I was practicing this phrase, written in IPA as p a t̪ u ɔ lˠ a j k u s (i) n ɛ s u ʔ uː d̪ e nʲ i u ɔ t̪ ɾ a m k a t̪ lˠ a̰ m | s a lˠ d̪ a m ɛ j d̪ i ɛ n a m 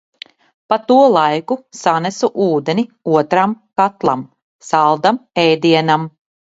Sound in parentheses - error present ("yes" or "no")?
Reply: yes